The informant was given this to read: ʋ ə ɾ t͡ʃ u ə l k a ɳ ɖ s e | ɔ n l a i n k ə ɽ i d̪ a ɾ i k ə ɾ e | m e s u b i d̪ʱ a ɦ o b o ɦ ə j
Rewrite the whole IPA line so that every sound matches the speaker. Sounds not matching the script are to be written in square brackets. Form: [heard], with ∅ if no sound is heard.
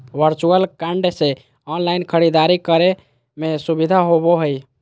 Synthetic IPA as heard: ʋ ə ɾ t͡ʃ u ə l k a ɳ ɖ s e | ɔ n l a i n [kʰ] ə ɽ i d̪ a ɾ i k ə ɾ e | m e s u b i d̪ʱ a ɦ o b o ɦ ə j